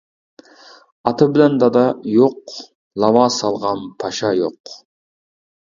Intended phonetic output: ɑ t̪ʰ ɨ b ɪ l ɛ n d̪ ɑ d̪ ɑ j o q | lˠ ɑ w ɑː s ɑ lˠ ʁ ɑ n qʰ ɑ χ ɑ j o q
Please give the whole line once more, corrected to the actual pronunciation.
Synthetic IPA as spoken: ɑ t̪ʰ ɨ b ɪ l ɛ n d̪ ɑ d̪ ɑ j o q | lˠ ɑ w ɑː s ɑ lˠ ʁ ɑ n pʰ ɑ ʃ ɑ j o q